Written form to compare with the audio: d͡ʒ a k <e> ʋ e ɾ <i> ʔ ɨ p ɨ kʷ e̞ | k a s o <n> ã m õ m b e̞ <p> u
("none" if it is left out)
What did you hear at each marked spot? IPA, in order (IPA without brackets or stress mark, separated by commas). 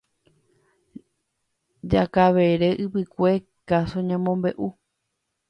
a, e, ɲ, ʔ